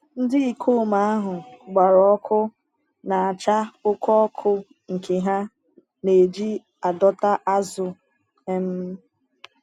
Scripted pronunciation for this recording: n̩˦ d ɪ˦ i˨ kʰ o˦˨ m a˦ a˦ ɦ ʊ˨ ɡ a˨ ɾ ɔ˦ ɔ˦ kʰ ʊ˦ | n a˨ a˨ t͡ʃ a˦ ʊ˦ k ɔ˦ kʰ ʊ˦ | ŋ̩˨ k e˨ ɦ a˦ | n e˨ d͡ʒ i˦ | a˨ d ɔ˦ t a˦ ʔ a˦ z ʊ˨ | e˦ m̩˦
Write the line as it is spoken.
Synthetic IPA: n̩˦ d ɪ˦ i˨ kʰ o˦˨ m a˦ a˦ ɦ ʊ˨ ɡ͡b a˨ ɾ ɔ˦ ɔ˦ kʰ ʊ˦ | n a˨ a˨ t͡ʃ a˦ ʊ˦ k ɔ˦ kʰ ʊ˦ | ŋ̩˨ k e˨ ɦ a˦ | n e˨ d͡ʒ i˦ | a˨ d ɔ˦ t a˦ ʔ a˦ z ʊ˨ | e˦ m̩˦